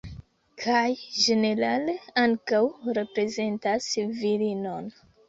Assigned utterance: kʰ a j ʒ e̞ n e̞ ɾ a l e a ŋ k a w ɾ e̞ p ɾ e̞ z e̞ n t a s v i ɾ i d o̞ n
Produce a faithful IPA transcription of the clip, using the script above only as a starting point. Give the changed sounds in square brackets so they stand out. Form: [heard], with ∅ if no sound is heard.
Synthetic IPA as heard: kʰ a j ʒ e̞ n e̞ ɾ a l e a ŋ k a w ɾ e̞ p ɾ e̞ z e̞ n t a s v i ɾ i [n] o̞ n